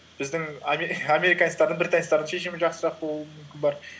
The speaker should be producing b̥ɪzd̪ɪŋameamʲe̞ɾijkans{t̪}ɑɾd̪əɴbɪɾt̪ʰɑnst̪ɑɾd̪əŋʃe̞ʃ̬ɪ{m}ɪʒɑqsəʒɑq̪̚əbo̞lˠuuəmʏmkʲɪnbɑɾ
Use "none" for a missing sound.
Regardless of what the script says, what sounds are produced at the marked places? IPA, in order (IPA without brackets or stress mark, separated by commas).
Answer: t̪, m